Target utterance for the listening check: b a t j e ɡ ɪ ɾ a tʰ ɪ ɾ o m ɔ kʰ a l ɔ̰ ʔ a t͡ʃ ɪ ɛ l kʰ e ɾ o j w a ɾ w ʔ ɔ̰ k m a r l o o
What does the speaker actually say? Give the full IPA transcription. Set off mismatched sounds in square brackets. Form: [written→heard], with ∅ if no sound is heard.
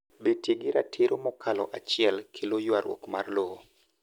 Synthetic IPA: b [a→e] t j e ɡ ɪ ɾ a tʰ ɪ ɾ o m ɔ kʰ a l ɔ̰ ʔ a t͡ʃ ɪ ɛ l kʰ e [ɾ→l] o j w a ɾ w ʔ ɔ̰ k m a r l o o